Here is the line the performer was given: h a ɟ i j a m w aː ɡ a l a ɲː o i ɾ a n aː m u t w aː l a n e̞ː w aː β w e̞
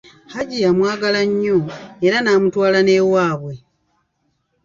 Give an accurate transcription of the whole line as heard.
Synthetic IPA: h a ɟ i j a m w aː ɡ a l a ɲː o e ɾ a n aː m u t w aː l a n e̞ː w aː β w e̞

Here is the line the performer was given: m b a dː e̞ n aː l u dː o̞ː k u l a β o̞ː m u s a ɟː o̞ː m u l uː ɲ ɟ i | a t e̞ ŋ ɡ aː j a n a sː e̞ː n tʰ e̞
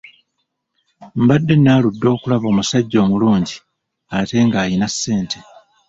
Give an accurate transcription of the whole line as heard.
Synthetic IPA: m b a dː e̞ n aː l u dː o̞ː k u l a β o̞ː m u s a ɟː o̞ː m u l uː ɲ ɟ i | a t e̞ ŋ ɡ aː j i n a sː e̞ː n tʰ e̞

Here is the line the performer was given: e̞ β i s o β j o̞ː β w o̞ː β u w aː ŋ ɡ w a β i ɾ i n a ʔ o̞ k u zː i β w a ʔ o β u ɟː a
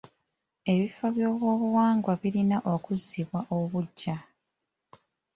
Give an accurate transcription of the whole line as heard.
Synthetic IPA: e̞ β i f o β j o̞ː β w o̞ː β u w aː ŋ ɡ w a β i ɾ i n a ʔ o̞ k u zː i β w a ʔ o β u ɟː a

